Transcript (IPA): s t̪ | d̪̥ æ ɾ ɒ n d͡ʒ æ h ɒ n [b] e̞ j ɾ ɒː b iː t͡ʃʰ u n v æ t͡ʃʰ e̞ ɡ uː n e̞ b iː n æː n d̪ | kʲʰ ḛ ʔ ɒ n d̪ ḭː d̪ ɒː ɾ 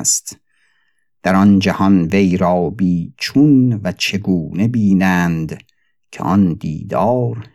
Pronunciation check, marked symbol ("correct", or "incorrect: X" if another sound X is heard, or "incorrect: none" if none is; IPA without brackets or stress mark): incorrect: v